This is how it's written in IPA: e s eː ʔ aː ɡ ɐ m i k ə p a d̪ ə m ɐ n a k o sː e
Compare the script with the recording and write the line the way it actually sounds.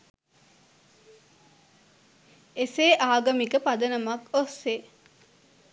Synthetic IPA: e s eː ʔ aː ɡ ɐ m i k ə p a d̪ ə n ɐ m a k o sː e